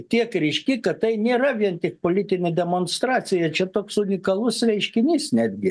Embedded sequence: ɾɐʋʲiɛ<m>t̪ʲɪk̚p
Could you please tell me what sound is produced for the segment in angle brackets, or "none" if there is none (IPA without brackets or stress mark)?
n